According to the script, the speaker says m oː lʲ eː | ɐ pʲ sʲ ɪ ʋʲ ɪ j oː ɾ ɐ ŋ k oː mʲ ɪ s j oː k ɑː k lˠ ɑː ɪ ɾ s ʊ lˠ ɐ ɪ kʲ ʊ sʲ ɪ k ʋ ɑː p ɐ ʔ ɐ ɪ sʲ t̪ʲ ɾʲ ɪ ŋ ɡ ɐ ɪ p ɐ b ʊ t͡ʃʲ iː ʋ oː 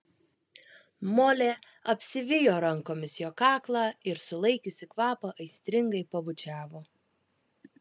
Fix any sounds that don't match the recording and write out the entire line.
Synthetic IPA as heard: m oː lʲ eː | ɐ pʲ sʲ ɪ ʋʲ ɪ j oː ɾ ɐ ŋ k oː mʲ ɪ s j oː k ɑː k lˠ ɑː ɪ ɾ s ʊ lˠ ɐ ɪ kʲ ʊ sʲ ɪ k ʋ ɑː p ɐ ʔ ɐ ɪ sʲ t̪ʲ ɾʲ ɪ ŋ ɡ ɐ ɪ p ɐ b ʊ t͡ʃʲ æː ʋ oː